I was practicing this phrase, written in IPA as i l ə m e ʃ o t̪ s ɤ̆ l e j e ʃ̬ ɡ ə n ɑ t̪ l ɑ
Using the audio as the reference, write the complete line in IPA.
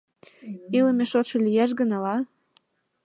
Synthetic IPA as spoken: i l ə m e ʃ o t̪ ʃ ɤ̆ l i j æ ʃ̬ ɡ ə n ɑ l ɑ

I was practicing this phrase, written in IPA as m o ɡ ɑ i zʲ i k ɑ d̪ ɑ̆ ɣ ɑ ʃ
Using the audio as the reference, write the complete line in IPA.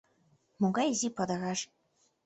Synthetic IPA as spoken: m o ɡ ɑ j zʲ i p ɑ d̪ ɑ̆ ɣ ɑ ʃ

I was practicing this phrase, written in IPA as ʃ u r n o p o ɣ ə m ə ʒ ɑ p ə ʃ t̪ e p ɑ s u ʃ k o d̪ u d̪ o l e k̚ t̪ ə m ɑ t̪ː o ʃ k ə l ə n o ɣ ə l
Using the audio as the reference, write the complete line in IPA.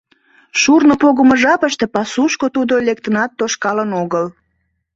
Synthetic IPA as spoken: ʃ u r n o p o ɣ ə m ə ʒ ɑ p ə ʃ t̪ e p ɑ s u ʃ k o t̪ u d̪ o l e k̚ t̪ ə n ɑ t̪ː o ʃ k ɑ l ə n o ɣ ə l

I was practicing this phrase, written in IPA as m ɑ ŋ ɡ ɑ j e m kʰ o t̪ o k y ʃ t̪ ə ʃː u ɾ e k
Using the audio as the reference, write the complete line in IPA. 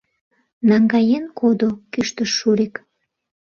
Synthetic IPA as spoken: n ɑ ŋ ɡ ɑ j e n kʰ o d̪ o k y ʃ t̪ ə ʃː u ɾ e k

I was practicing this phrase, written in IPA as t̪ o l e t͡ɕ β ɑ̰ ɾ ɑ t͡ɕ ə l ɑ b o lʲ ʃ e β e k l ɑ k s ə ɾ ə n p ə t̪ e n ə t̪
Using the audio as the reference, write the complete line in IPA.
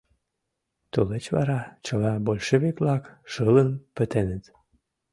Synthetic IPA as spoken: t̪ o l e t͡ɕ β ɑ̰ ɾ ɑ t͡ɕ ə l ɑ b o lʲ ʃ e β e k l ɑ k ʃ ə l ə n p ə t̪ e n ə t̪

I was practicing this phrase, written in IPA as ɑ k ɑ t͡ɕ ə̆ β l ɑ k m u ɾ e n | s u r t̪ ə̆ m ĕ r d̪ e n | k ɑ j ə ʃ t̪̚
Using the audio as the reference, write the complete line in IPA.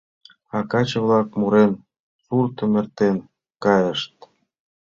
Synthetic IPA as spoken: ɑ k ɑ t͡ɕ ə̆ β l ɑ k m u ɾ e n | s u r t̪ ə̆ m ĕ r t̪ e n | k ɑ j ə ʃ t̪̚

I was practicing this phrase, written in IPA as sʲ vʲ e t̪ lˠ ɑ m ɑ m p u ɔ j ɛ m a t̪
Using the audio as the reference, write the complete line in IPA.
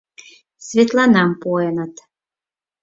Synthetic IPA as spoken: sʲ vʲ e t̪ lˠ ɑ n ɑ m p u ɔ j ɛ n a t̪

